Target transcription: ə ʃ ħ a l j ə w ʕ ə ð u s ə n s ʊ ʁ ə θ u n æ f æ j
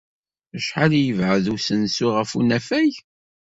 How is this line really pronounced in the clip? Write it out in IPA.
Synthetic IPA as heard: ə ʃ ħ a l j ə v ʕ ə ð u s ə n s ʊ ʁ ə f u n æ f æ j